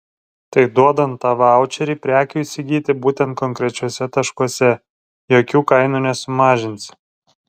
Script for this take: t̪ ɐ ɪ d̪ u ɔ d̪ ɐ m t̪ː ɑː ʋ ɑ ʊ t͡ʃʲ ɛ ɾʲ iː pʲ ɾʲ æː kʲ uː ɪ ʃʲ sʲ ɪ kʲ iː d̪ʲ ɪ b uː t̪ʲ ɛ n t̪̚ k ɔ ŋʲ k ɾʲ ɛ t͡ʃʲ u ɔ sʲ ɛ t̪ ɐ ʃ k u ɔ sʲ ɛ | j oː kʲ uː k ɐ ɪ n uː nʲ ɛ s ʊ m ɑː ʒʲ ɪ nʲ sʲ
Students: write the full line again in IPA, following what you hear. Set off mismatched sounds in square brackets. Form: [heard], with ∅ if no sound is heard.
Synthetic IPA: t̪ ɐ ɪ d̪ u ɔ d̪ ɐ [n] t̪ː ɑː ʋ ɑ ʊ t͡ʃʲ ɛ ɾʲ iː pʲ ɾʲ æː kʲ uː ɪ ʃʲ sʲ ɪ [ɡʲ] iː [t̪ʲ] ɪ b uː t̪ʲ ɛ n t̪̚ k ɔ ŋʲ k ɾʲ ɛ t͡ʃʲ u ɔ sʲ ɛ t̪ ɐ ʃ k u ɔ sʲ ɛ | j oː kʲ uː k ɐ ɪ n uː nʲ ɛ s ʊ m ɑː ʒʲ ɪ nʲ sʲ